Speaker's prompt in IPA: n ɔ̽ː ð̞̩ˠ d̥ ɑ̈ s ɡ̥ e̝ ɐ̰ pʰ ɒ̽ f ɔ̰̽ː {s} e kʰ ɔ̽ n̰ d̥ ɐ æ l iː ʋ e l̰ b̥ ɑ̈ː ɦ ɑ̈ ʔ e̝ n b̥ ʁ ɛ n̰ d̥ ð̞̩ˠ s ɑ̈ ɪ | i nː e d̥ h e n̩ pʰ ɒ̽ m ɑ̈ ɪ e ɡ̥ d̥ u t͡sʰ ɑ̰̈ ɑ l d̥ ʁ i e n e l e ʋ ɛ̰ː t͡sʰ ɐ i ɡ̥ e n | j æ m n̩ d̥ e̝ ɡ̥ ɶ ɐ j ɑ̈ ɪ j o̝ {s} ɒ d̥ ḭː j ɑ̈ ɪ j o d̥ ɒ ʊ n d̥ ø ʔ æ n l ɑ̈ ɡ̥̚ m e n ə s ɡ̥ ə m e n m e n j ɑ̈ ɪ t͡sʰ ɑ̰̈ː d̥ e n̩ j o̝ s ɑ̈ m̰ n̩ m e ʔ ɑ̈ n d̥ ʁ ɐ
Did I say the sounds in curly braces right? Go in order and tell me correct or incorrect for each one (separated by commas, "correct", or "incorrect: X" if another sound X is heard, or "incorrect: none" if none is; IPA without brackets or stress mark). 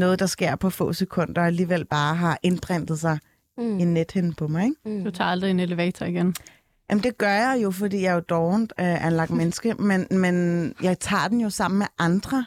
correct, incorrect: f